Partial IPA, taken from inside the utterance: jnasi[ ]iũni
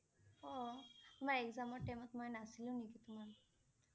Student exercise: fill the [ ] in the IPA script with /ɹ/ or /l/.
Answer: l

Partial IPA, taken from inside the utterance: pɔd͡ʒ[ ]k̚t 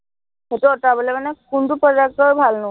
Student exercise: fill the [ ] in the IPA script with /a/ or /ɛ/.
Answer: a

